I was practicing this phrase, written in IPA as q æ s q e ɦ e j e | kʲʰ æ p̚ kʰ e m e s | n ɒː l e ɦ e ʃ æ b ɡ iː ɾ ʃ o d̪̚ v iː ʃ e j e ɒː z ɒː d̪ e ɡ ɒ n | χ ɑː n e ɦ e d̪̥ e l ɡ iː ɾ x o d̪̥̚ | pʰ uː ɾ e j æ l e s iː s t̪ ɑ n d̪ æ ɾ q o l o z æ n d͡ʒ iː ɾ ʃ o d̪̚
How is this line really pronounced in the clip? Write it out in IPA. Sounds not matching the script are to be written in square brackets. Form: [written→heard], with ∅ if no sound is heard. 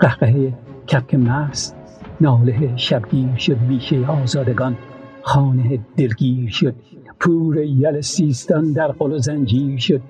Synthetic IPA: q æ [s→h] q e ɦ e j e | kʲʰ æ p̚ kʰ e m [e→æ] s | n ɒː l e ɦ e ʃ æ b ɡ iː ɾ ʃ o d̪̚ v iː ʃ e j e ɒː z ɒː d̪ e ɡ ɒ n | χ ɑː n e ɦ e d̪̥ e l ɡ iː ɾ [x→ʃ] o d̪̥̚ | pʰ uː ɾ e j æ l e s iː s t̪ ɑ n d̪ æ ɾ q o l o z æ n d͡ʒ iː ɾ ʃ o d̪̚